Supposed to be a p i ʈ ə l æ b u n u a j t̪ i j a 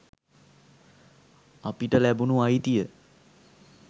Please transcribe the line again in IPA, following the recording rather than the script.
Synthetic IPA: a p i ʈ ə l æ b u n u a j t̪ i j ə

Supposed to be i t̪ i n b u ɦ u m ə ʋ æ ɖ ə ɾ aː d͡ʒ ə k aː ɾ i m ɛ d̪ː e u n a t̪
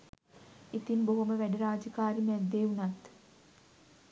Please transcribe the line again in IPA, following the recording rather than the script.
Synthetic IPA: i t̪ i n b o ɦ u m ə ʋ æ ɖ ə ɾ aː d͡ʒ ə k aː ɾ i m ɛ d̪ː e u n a t̪

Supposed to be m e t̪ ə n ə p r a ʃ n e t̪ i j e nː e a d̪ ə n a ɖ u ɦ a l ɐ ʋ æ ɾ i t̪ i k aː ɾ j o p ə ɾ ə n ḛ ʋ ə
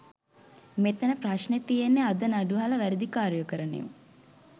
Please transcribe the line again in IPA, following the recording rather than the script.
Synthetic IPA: m e t̪ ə n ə p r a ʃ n e t̪ i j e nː e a d̪ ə n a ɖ u ɦ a l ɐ ʋ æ ɾ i d̪ i k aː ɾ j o k ə ɾ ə n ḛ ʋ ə

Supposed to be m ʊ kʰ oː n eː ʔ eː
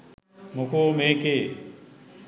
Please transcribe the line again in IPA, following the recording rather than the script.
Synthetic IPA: m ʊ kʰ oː m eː k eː

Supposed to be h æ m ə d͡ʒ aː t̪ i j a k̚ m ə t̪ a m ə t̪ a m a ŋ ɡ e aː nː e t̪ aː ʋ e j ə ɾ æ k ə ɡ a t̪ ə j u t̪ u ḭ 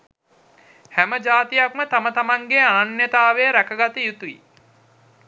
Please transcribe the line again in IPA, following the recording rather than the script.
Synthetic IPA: h æ m ə d͡ʒ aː t̪ i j a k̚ m ə t̪ a m ə t̪ a m a ŋ ɡ e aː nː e t̪ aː ʋ e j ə ɾ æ k ə ɡ a t̪ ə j u t̪ u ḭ

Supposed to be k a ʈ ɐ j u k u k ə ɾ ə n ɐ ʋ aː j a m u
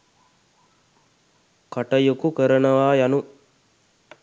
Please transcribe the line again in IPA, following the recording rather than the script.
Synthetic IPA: k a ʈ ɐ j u k u k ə ɾ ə n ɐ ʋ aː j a n u

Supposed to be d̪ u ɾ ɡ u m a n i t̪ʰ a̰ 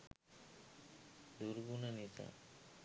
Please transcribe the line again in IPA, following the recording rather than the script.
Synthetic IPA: d̪ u ɾ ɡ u n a n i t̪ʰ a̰

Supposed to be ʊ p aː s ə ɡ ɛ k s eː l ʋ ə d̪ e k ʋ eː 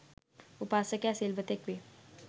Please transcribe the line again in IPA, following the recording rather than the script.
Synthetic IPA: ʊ p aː s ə k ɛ s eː l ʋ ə t̪ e k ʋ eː

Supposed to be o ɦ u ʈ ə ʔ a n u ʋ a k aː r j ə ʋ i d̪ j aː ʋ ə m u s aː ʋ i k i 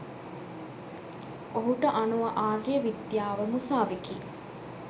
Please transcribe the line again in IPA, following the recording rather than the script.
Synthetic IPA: o ɦ u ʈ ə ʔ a n u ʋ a ʔ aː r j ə ʋ i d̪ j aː ʋ ə m u s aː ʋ i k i

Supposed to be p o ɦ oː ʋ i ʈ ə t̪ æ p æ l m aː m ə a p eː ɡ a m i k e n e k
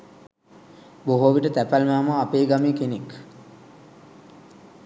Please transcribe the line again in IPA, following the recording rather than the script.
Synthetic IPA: b o ɦ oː ʋ i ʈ ə t̪ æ p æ l m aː m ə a p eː ɡ a m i k e n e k

